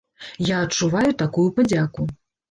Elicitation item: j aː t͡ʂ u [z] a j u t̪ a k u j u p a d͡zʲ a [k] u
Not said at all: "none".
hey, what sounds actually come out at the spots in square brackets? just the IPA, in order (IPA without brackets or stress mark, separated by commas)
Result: v, k